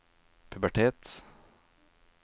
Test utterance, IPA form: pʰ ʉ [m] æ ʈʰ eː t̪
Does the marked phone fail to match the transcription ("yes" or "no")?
yes